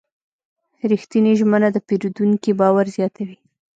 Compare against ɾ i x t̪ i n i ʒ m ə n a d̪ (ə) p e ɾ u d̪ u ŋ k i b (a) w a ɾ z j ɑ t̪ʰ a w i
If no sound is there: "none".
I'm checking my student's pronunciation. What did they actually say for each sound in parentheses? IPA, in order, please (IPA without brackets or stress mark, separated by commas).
ə, ɑ